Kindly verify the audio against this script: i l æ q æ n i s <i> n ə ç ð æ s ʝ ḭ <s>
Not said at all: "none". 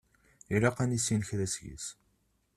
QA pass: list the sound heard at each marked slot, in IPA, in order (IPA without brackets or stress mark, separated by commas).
i, s